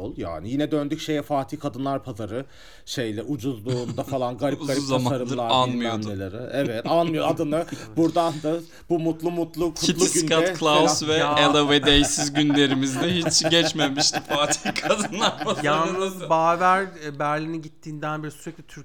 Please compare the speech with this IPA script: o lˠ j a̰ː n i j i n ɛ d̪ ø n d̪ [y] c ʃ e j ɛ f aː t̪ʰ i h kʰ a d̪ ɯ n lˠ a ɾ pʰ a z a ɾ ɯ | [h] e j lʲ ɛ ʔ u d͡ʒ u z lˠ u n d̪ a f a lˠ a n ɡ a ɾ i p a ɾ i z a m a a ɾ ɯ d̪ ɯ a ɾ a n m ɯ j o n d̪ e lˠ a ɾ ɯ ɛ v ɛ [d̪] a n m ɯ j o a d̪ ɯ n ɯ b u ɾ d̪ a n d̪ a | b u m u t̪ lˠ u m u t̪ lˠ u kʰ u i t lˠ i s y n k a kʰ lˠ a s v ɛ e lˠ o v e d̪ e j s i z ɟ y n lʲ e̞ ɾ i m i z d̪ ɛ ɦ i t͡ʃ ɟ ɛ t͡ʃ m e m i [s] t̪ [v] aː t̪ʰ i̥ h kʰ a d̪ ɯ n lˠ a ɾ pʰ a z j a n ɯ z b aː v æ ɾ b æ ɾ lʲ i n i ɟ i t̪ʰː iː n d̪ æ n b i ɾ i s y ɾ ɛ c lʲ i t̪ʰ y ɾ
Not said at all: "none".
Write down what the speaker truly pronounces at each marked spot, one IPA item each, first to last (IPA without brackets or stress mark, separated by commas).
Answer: y, ʃ, t̪, ʃ, f